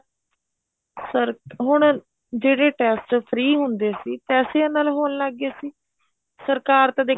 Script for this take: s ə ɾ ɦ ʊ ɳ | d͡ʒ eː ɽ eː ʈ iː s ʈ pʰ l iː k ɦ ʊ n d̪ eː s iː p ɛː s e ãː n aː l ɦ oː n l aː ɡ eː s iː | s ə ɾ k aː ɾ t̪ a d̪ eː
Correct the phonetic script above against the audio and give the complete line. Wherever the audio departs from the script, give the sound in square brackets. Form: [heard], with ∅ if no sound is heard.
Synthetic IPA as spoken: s ə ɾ ɦ ʊ ɳ | d͡ʒ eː ɽ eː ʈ [ɛː] s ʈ pʰ [ɾ] iː [∅] ɦ ʊ n d̪ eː s iː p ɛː s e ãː n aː l ɦ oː n l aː ɡ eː s iː | s ə ɾ k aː ɾ t̪ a d̪ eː